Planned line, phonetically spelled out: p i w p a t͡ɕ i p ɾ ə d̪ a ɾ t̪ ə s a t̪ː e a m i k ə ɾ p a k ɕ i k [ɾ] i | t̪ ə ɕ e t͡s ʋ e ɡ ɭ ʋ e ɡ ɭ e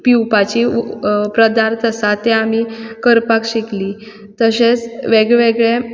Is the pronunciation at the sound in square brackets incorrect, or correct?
incorrect